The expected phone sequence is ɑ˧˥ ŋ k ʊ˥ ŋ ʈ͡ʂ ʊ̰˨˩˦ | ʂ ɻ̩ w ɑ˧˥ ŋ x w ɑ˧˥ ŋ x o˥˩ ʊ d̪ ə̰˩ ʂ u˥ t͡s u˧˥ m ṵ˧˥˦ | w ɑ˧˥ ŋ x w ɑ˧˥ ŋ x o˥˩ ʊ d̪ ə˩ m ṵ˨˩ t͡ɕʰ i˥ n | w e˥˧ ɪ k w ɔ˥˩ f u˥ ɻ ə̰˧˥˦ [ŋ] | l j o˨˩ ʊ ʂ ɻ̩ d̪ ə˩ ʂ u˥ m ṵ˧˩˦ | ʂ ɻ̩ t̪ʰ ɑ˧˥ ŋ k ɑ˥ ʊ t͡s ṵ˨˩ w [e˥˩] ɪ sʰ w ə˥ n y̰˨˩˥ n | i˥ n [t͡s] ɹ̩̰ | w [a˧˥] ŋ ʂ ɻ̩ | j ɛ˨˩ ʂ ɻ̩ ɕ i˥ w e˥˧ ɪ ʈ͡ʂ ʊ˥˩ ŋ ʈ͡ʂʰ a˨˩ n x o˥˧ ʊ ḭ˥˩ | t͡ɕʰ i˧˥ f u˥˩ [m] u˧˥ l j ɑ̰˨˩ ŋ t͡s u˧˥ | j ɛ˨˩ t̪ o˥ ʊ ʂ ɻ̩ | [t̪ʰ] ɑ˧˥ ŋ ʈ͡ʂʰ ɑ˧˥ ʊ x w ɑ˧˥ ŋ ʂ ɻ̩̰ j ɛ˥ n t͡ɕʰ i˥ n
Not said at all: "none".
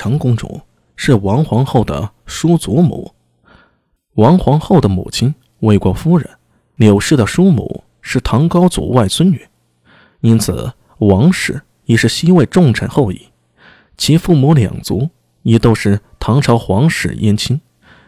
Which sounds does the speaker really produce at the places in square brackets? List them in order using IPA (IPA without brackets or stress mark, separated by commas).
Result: n, a˥˩, t͡sʰ, ɑ˧˥, m, t̪ʰ